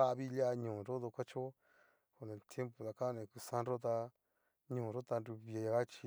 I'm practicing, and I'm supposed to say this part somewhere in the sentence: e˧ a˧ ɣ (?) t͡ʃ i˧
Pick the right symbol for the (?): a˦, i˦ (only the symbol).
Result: a˦